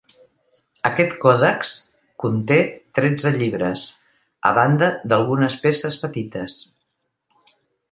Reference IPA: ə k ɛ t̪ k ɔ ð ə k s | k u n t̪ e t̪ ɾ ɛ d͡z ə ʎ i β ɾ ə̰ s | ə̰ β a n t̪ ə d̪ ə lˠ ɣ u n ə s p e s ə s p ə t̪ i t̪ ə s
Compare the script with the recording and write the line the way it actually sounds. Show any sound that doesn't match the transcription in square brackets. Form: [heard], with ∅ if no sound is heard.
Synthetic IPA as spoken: ə k ɛ t̪ k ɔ ð ə k s | k u n t̪ e t̪ ɾ ɛ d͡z ə ʎ i β ɾ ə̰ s | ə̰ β a n [d̪] ə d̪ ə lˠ ɣ u n ə s p e s ə s p ə t̪ i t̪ ə s